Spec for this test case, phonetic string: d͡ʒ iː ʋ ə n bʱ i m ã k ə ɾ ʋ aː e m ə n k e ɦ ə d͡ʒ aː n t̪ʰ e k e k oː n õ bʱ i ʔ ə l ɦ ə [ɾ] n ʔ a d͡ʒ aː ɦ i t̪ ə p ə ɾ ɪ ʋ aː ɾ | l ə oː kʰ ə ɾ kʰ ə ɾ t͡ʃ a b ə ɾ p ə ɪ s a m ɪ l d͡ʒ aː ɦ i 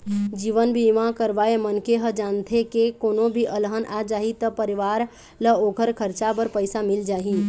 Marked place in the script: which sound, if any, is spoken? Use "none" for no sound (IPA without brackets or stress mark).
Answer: none